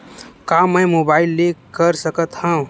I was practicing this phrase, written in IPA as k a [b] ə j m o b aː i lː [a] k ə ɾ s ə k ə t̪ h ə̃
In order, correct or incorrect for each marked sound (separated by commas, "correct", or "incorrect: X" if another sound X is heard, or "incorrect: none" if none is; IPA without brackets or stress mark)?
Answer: incorrect: m, incorrect: e